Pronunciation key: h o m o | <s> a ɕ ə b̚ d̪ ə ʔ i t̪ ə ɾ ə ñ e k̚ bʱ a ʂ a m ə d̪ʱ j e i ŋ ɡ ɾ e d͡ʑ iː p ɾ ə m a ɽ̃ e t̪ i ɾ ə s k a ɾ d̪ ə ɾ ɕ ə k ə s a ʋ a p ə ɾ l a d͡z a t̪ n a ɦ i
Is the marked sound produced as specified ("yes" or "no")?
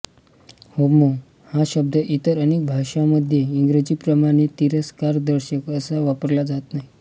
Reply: no